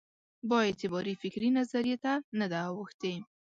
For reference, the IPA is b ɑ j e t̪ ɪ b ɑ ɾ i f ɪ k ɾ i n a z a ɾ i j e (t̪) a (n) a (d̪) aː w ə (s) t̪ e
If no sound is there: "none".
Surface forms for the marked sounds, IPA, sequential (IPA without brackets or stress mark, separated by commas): t̪, n, d̪, x